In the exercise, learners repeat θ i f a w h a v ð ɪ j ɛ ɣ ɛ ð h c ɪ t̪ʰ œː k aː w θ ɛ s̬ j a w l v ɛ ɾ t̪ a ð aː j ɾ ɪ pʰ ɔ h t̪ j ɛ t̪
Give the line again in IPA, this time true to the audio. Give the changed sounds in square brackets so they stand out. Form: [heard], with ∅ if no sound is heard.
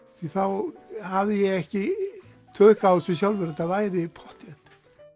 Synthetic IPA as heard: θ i [θ] a w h a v ð ɪ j ɛ ɣ ɛ [∅] h c ɪ t̪ʰ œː k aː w [s] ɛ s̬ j a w l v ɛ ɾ t̪ a [v] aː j ɾ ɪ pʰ ɔ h t̪ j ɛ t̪